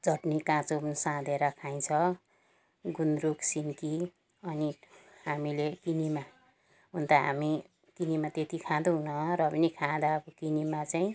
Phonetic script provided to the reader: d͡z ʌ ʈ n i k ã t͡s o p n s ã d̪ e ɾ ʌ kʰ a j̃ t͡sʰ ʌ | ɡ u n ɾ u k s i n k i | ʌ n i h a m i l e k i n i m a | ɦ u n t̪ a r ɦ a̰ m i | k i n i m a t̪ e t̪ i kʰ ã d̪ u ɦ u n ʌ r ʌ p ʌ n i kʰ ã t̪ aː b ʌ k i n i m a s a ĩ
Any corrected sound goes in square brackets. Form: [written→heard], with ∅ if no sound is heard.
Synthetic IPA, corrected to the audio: d͡z ʌ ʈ n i k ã t͡s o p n s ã d̪ e ɾ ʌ kʰ a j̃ t͡sʰ ʌ | ɡ u n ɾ u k s i n k i | ʌ n i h a m i l e k i n i m a | ɦ u n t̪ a [r→∅] ɦ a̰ m i | k i n i m a t̪ e t̪ i kʰ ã d̪ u ɦ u n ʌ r ʌ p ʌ n i kʰ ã [t̪→d̪] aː b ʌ k i n i m a [s→t͡s] a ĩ